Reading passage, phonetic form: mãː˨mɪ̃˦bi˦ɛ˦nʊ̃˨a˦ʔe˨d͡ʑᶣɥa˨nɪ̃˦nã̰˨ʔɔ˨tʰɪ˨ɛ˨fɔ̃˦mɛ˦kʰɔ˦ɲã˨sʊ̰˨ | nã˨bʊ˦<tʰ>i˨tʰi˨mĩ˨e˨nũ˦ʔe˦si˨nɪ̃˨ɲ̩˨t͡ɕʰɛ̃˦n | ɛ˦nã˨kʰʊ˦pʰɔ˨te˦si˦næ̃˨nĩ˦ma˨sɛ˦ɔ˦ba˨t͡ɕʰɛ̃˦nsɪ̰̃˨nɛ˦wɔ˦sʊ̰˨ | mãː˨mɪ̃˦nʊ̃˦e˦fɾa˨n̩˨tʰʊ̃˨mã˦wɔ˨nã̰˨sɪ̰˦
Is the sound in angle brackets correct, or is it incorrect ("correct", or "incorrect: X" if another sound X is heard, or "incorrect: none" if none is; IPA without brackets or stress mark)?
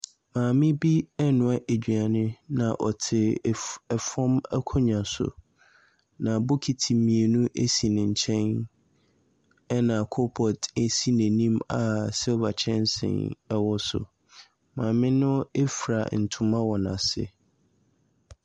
incorrect: kʰ